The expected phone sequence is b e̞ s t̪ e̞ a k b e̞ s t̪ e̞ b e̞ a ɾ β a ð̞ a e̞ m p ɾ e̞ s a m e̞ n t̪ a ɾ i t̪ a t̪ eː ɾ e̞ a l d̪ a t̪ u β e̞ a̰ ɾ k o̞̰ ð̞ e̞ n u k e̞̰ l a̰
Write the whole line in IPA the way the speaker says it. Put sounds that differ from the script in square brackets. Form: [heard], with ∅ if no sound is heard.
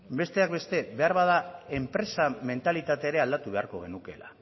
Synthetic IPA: b e̞ s t̪ e̞ a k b e̞ s t̪ e̞ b e̞ a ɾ β a ð̞ a e̞ m p ɾ e̞ s a m e̞ n t̪ a [l] i t̪ a t̪ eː ɾ e̞ a l d̪ a t̪ u β e̞ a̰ ɾ k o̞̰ [ɣ̞] e̞ n u k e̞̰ l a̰